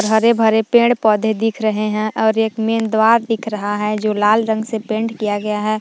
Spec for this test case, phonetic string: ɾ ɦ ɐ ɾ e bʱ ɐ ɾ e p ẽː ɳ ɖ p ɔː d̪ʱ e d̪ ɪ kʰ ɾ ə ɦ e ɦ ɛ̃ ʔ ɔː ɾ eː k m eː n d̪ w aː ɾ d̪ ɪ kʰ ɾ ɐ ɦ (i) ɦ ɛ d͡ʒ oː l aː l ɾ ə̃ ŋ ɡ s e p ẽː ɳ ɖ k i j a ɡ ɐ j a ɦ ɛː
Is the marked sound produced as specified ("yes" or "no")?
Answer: no